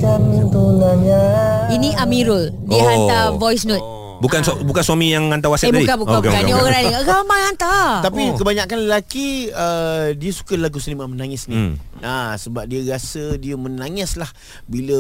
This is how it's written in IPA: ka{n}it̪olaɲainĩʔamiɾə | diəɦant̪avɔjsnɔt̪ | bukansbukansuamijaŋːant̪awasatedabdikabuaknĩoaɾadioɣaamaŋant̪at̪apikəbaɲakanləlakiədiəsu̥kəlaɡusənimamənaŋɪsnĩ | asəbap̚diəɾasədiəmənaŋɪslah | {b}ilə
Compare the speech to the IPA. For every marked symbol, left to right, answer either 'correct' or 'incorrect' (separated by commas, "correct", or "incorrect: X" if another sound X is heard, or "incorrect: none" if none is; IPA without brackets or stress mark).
incorrect: m, correct